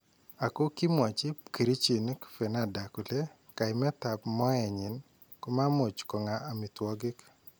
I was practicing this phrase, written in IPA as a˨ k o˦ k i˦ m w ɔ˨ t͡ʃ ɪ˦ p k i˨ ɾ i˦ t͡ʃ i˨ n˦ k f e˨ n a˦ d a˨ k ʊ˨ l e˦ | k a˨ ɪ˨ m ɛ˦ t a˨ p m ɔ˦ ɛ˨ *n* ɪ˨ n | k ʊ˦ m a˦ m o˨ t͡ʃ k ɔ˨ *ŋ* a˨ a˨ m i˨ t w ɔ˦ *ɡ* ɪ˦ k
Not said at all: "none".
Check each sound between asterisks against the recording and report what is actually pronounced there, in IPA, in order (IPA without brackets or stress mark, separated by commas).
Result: ɲ, ŋ, ɡ